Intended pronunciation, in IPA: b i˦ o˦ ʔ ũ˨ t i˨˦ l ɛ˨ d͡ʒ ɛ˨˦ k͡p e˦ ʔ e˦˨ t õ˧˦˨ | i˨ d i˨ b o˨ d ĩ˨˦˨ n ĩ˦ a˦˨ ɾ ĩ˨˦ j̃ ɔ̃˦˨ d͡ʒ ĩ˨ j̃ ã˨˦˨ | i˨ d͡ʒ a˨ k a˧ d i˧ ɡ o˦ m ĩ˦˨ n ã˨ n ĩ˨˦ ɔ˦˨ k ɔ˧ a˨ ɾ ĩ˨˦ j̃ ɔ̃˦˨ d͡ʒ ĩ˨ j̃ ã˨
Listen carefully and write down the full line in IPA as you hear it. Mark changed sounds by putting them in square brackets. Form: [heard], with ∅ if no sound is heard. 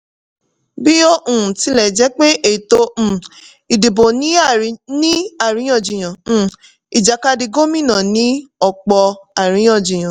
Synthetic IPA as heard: b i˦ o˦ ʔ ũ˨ t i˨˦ l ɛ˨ d͡ʒ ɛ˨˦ k͡p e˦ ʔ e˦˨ t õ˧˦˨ | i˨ d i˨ b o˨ [n] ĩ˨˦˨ n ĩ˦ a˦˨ ɾ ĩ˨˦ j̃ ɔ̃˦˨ d͡ʒ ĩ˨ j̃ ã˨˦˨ | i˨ d͡ʒ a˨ k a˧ d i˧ ɡ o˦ m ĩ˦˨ n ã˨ n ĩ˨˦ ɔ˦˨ [k͡p] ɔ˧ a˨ ɾ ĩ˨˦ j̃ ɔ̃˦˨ d͡ʒ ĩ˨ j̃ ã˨